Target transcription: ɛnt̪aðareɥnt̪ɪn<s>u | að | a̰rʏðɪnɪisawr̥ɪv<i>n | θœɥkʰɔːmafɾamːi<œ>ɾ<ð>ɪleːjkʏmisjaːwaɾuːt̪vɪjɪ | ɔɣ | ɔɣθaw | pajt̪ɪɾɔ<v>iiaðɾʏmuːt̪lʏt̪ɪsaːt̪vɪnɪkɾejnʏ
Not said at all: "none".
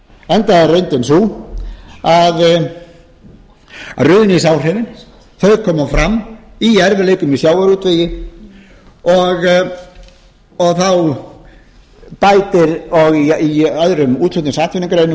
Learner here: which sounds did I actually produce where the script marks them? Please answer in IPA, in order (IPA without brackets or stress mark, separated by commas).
s, ɪ, ɛ, v, ɣ